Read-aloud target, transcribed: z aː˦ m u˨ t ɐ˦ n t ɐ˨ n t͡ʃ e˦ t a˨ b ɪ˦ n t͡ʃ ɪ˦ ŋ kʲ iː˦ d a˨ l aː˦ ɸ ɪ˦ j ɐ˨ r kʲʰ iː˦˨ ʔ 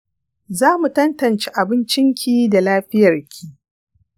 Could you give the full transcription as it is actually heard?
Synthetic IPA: z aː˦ m u˨ t ɐ˦ n t ɐ˨ n t͡ʃ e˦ ʔ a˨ b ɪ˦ n t͡ʃ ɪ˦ ŋ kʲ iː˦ d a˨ l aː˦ ɸ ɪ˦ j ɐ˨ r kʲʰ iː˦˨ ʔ